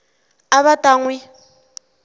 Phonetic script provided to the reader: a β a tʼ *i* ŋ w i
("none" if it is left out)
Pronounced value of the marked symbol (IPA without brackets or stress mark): a